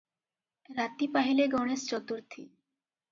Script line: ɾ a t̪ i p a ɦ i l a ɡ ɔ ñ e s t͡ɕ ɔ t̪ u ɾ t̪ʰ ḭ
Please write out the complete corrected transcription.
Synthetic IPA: ɾ a t̪ i p a ɦ i l e ɡ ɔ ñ e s t͡ɕ ɔ t̪ u ɾ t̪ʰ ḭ